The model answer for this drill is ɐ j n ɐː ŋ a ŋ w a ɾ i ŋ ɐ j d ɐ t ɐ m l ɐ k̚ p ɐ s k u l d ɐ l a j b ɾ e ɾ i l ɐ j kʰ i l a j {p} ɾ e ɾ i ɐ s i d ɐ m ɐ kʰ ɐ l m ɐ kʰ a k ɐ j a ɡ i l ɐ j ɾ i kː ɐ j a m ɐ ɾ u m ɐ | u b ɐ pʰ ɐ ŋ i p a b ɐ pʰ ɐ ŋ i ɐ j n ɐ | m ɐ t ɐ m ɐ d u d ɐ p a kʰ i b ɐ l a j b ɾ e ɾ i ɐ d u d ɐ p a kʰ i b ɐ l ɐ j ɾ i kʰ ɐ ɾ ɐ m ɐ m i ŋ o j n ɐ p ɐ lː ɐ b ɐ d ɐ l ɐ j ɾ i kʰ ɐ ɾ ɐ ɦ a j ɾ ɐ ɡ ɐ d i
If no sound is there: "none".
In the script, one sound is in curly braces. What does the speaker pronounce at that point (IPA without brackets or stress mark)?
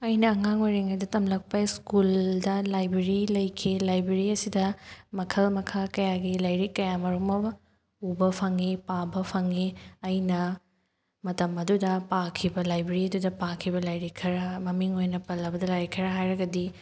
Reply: b